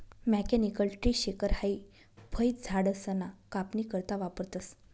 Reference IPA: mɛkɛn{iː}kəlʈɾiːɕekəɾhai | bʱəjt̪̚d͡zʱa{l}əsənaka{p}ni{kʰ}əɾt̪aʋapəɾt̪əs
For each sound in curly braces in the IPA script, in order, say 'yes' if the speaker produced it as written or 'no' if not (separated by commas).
no, no, yes, no